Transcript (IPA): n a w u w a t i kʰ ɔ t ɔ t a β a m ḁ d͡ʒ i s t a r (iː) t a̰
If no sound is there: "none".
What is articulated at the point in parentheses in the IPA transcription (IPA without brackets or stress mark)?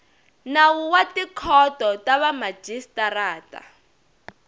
aː